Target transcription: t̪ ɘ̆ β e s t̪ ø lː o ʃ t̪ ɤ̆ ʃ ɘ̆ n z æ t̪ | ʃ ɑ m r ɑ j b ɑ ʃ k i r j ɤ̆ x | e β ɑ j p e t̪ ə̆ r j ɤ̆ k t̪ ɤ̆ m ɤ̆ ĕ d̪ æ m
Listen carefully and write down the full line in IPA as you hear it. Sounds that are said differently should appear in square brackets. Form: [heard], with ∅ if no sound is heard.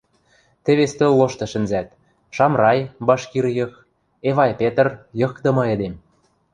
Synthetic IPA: t̪ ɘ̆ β e s t̪ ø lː o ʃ t̪ ɤ̆ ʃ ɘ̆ n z æ t̪ | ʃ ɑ m r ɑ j b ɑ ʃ k i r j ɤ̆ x | e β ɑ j p e t̪ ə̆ r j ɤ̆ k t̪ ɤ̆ m ɤ̆ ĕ d̪ [e] m